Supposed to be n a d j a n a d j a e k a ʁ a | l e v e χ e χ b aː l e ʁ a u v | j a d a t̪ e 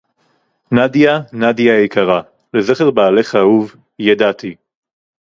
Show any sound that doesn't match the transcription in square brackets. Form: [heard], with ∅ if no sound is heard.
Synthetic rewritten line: n a d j a n a d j a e k a ʁ a | l e [z] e χ e [ʁ] b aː l e [χ] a u v | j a d a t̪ [i]